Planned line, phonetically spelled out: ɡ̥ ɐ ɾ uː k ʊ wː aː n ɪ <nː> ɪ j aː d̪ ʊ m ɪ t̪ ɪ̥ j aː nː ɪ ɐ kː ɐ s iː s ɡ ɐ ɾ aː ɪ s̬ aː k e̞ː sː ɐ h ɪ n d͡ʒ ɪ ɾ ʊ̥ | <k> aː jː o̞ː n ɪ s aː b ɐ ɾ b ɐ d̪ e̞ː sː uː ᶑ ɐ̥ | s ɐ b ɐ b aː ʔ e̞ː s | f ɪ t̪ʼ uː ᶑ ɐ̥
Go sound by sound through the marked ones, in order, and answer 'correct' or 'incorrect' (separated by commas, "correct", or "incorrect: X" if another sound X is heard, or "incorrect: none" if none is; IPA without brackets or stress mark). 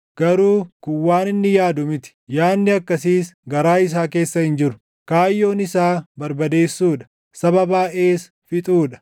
correct, correct